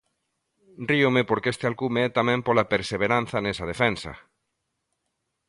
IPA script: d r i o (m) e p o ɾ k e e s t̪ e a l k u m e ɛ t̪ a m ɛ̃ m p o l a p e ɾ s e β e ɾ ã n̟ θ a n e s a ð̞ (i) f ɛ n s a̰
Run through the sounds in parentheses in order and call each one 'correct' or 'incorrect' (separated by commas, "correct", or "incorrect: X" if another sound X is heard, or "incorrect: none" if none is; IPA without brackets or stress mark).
correct, incorrect: e